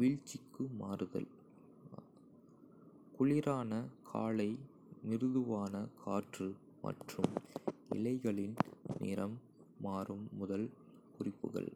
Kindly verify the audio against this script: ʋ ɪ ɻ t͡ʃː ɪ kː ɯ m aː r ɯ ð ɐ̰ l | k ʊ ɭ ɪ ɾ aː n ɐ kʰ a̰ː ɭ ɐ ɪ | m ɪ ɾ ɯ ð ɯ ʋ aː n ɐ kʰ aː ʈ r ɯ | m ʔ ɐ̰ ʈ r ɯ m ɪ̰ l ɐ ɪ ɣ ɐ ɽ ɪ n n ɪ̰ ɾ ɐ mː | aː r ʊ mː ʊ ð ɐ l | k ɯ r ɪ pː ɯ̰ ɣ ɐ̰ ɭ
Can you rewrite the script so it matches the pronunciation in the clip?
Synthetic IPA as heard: ʋ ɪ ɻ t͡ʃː ɪ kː ɯ m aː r ɯ ð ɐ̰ l | k ʊ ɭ ɪ ɾ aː n ɐ kʰ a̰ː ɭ ɐ ɪ | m ɪ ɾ ɯ ð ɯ ʋ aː n ɐ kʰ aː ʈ r ɯ | m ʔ ɐ̰ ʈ r ɯ m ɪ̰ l ɐ ɪ ɣ ɐ ɭ ɪ n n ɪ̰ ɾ ɐ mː | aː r ɯ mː ʊ ð ɐ l | k ʊ r ɪ pː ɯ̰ ɣ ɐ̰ ɭ